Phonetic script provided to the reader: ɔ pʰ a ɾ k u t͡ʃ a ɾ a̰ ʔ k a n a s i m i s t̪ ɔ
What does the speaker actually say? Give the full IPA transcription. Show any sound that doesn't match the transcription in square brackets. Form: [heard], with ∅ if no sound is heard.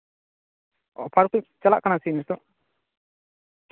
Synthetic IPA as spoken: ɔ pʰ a ɾ k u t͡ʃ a [l] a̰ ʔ k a n a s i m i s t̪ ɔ

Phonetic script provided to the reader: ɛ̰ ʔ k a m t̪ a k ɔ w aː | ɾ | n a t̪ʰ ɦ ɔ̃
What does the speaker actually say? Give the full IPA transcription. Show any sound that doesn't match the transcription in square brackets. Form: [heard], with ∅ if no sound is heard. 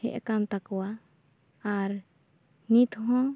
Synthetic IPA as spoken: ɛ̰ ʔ k a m t̪ a k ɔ w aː | ɾ | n [i] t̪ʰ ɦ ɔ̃

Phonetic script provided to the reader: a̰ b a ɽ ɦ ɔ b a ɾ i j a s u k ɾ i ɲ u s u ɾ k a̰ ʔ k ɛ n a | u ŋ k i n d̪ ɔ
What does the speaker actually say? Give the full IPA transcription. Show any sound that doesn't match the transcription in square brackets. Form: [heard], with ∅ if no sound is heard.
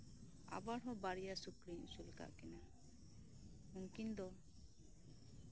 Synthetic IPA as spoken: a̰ b a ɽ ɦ ɔ b a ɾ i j a s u k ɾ i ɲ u s u [l] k a̰ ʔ k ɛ n a | u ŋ k i n d̪ ɔ

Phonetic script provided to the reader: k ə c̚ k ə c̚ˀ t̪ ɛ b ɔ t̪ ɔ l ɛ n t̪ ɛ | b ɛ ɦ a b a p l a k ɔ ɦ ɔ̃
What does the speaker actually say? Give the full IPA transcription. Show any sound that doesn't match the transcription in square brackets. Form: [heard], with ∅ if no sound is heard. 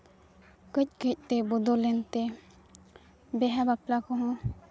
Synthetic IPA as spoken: k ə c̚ k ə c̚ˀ t̪ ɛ b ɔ [d̪] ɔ l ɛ n t̪ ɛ | b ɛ ɦ a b a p l a k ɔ ɦ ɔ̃

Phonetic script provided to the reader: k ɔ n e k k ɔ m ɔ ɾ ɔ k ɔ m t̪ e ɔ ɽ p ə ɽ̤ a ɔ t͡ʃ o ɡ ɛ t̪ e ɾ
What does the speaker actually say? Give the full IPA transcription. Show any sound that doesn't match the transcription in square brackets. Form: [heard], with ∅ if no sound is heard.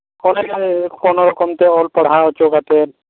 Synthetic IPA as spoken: k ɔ n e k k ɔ [n] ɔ ɾ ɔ k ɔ m t̪ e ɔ [l] p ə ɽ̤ a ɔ t͡ʃ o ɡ [a] t̪ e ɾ

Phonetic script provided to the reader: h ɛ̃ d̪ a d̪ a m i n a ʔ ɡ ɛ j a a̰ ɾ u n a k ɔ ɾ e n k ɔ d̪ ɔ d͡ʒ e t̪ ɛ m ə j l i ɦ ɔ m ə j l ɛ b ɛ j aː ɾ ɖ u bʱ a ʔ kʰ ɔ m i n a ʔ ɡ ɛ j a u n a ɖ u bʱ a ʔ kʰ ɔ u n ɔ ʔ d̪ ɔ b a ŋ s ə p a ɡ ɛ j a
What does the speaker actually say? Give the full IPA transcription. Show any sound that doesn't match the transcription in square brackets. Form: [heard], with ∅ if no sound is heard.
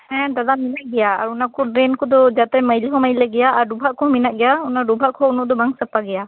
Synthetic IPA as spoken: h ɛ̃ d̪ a d̪ a m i n a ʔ ɡ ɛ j a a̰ ɾ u n a k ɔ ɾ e n k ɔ d̪ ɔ d͡ʒ [a] t̪ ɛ m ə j l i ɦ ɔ m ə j l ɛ [ɡ] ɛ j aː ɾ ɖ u bʱ a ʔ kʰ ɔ m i n a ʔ ɡ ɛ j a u n a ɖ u bʱ a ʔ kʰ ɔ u n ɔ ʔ d̪ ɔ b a ŋ s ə p a ɡ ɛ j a

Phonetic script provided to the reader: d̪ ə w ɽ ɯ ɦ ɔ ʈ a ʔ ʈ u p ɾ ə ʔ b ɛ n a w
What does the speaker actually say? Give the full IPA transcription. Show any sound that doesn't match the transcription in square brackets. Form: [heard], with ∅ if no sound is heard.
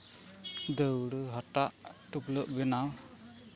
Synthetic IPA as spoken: d̪ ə w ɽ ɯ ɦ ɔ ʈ a ʔ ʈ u p [l] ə ʔ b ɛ n a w

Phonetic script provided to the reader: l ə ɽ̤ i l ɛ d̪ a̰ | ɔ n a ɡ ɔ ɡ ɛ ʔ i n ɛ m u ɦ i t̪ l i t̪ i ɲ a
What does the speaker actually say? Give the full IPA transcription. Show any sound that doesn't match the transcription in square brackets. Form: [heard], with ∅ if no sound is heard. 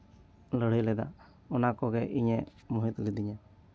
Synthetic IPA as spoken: l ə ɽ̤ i l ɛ d̪ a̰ | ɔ n a [k] ɔ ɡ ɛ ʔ i [ɲ] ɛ m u ɦ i t̪ l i [d̪] i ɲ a

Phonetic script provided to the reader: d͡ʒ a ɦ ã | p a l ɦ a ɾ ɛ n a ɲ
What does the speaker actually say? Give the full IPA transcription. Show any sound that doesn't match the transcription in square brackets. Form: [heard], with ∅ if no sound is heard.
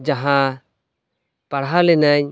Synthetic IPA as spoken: d͡ʒ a ɦ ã | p a [ɽ] ɦ a [l] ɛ n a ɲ

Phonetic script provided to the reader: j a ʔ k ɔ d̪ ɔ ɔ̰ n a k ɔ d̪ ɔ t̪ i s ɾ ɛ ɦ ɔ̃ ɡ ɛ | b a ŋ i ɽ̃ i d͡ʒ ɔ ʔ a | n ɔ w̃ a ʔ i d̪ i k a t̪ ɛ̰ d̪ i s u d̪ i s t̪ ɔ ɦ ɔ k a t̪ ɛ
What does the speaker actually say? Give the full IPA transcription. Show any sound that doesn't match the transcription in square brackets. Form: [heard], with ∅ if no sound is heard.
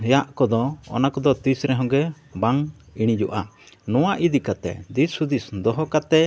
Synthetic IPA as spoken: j a ʔ k ɔ d̪ ɔ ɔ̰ n a k ɔ d̪ ɔ t̪ i s ɾ ɛ ɦ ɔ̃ ɡ ɛ | b a ŋ i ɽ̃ i d͡ʒ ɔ ʔ a | n ɔ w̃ a ʔ i d̪ i k a t̪ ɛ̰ d̪ i s u d̪ i s [d̪] ɔ ɦ ɔ k a t̪ ɛ

